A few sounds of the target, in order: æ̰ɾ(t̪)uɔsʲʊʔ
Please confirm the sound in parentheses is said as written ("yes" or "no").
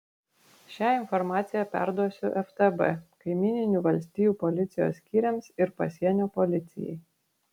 no